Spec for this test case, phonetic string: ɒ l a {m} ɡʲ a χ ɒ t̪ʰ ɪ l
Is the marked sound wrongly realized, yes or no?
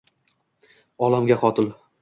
no